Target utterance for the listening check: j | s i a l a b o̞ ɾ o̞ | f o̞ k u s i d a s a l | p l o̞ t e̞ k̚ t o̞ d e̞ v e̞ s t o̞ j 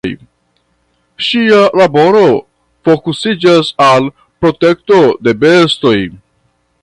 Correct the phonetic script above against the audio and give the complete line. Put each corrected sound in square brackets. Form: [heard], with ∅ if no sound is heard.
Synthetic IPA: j | [ʃ] i a l a b o̞ ɾ o̞ | f o̞ k u s i [d͡ʒ] a s a l | p [ɾ] o̞ t e̞ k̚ t o̞ d e̞ [b] e̞ s t o̞ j